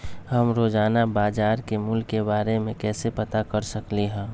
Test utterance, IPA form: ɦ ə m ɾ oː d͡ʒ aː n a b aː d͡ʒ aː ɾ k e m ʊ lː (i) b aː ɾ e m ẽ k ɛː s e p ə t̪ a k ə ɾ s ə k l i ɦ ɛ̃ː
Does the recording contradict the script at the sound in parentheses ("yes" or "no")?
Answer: yes